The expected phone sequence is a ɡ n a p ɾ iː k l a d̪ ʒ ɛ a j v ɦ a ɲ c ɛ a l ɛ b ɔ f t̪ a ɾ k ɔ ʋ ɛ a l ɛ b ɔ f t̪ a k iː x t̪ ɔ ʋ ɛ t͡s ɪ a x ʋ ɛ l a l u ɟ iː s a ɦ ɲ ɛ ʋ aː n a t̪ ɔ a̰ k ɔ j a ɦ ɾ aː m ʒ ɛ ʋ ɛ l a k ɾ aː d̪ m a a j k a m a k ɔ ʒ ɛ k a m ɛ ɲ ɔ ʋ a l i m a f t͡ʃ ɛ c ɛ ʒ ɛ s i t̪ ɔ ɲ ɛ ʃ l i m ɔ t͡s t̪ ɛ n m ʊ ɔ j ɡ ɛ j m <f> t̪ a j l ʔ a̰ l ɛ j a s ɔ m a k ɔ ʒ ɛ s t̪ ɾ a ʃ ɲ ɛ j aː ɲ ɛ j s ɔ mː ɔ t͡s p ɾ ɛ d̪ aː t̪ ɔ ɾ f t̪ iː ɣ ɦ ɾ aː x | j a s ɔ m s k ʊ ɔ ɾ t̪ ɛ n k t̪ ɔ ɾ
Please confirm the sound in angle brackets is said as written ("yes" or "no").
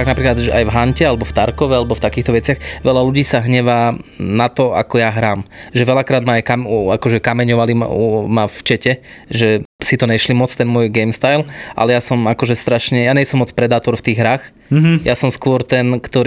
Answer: no